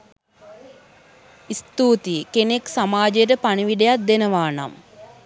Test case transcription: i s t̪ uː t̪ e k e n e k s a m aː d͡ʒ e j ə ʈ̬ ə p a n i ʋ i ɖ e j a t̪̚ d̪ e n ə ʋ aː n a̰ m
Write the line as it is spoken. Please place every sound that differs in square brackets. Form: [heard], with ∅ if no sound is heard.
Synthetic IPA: i s t̪ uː t̪ [i] k e n e k s a m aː d͡ʒ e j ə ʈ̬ ə p a n i ʋ i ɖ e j a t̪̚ d̪ e n ə ʋ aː n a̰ m